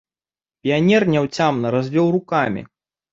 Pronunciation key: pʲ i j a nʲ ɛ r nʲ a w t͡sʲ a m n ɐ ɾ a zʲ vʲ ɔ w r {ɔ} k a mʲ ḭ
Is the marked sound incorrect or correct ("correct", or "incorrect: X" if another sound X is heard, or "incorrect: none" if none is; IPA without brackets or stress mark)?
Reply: incorrect: u